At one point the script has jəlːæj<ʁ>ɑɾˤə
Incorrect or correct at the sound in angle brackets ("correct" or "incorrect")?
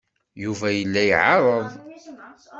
incorrect